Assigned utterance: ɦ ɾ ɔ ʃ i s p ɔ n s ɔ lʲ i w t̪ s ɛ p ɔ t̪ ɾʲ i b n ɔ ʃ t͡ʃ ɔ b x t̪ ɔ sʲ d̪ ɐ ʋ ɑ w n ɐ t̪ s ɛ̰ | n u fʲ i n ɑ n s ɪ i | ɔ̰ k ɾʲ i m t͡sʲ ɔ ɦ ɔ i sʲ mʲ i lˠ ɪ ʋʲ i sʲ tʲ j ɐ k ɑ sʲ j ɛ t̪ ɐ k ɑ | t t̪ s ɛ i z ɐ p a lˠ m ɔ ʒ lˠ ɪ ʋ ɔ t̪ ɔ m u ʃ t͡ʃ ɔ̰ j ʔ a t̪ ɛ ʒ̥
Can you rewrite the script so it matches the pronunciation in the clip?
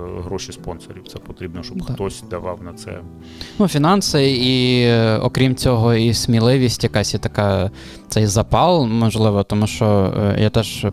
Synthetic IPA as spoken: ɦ ɾ ɔ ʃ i s p ɔ n s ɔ ɾʲ i w t̪ s ɛ p ɔ t̪ ɾʲ i b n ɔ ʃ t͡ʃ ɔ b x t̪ ɔ sʲ d̪ ɐ ʋ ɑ w n ɐ t̪ s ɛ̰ | n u fʲ i n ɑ n s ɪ i | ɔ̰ k ɾʲ i m t͡sʲ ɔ ɦ ɔ i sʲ mʲ i lˠ ɪ ʋʲ i sʲ tʲ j ɐ k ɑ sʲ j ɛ t̪ ɐ k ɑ | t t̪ s ɛ j z ɐ p ɑ lˠ m ɔ ʒ lˠ ɪ ʋ ɔ t̪ ɔ m u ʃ t͡ʃ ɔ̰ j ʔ a t̪ ɛ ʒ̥